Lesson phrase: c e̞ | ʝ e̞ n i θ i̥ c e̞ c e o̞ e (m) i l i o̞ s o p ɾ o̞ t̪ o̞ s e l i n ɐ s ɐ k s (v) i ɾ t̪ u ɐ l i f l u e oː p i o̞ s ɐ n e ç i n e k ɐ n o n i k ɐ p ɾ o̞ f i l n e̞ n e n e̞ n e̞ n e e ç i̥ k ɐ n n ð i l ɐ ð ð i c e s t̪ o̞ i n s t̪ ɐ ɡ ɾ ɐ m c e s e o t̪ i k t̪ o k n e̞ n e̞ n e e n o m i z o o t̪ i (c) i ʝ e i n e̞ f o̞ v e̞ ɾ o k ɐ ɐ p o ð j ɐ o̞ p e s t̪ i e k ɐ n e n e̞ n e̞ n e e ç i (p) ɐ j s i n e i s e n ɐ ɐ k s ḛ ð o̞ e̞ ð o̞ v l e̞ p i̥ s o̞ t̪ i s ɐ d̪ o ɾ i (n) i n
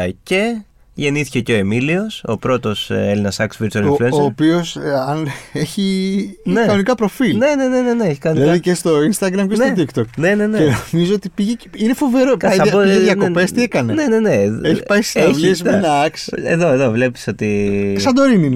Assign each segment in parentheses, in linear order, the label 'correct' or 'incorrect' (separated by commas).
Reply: correct, correct, incorrect, correct, correct